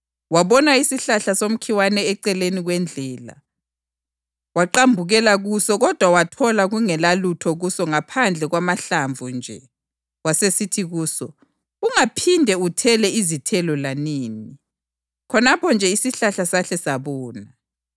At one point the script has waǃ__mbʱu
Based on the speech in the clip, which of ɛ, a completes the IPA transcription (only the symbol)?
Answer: a